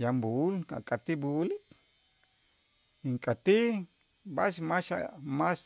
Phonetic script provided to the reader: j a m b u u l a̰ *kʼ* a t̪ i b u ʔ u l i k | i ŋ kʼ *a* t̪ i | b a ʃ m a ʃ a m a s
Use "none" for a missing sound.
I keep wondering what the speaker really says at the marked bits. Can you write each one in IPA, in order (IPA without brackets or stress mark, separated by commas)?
kʼ, a